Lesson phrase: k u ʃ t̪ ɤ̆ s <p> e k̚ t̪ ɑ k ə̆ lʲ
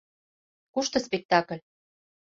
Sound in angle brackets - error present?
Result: no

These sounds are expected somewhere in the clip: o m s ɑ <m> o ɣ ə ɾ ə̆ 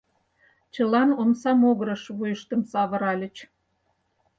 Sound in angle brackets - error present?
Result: no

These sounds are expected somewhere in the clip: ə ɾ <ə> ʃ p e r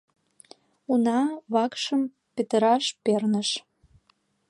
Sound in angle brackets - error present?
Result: yes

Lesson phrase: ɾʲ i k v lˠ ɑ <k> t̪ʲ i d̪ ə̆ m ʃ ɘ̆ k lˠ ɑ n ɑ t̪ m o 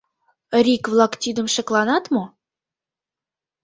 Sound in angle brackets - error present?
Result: no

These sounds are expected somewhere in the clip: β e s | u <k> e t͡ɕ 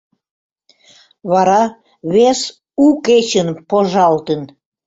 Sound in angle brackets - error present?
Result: no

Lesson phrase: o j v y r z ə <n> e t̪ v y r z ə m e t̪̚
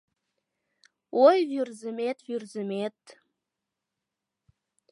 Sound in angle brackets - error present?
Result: yes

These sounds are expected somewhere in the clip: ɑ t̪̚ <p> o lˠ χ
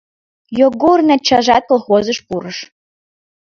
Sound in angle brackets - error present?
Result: yes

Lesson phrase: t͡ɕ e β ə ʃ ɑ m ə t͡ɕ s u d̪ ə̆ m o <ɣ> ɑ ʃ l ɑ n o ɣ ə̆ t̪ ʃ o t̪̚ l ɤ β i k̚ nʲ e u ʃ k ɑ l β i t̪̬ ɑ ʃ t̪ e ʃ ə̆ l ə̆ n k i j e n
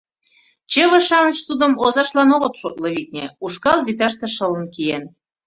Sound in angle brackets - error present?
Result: yes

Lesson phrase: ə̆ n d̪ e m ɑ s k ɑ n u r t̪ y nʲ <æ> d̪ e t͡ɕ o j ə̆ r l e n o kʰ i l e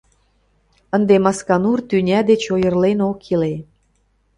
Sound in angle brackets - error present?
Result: no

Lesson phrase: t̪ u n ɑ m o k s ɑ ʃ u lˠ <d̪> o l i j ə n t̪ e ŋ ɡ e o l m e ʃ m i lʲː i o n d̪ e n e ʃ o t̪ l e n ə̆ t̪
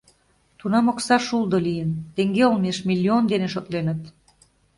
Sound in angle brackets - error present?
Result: no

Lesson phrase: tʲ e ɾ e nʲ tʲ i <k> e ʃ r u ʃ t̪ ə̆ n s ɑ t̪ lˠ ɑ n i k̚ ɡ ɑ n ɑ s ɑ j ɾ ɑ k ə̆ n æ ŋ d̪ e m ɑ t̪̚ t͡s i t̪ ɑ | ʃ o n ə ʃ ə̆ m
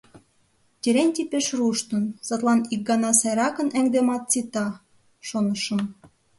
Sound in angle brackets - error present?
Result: yes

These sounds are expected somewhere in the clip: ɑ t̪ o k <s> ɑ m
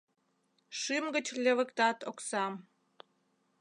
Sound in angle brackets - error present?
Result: no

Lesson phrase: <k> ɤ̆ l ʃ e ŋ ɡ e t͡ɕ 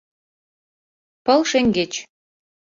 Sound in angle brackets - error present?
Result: yes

